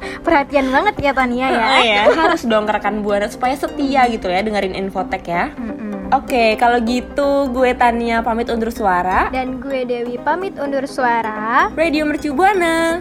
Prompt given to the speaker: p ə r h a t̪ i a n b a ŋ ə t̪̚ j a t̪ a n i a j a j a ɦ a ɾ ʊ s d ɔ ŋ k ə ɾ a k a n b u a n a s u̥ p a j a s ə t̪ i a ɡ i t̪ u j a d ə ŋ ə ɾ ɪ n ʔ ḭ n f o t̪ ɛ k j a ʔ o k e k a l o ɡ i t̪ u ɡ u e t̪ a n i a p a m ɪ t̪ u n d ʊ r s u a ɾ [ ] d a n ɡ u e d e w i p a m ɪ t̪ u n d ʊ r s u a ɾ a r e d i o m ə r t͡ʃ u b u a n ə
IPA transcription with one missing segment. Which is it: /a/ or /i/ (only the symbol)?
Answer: a